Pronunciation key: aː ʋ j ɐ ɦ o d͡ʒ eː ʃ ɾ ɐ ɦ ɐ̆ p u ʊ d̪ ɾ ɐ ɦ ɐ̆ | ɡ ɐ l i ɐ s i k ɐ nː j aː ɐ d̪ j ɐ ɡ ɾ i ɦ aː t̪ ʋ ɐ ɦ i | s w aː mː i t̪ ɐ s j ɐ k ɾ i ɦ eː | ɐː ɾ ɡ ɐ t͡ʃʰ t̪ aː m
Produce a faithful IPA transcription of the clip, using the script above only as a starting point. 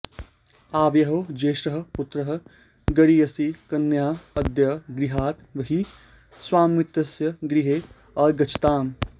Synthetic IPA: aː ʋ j ɐ ɦ o d͡ʒ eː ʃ ɾ ɐ ɦ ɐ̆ p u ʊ t̪ ɾ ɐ ɦ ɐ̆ | ɡ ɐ ɽ i ɐ s i k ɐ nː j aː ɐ d̪ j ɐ ɡ ɾ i ɦ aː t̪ ʋ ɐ ɦ i | s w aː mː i t̪ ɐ s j ɐ ɡ ɾ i ɦ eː | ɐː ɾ ɡ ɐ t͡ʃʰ t̪ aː m